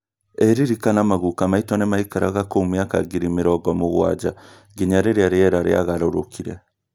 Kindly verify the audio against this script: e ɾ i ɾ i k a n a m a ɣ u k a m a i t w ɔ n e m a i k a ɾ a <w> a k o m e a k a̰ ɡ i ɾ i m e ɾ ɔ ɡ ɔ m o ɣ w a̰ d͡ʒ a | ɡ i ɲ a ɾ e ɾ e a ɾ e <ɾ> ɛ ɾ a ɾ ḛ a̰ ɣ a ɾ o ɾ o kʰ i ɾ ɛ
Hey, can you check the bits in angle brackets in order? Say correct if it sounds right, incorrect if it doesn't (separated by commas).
incorrect, incorrect